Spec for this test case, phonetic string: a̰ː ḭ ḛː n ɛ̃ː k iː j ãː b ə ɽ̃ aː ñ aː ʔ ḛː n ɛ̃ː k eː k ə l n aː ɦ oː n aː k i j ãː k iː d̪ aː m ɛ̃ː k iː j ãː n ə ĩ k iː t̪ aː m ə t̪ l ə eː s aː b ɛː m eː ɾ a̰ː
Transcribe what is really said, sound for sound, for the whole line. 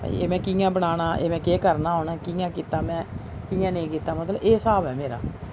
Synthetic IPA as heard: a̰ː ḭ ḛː m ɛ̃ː k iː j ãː b ə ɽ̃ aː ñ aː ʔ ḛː m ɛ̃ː k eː k ə ɾ n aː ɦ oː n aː k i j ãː k iː t̪ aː m ɛ̃ː k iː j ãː n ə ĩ k iː t̪ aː m ə t̪ l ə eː s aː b ɛː m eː ɾ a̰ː